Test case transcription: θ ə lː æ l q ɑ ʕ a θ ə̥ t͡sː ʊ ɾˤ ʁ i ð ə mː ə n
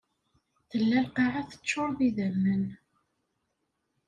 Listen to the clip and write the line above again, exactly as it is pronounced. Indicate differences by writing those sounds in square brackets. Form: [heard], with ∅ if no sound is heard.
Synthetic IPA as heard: θ ə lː æ l q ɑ ʕ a θ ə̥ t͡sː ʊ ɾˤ [ð] i ð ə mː ə n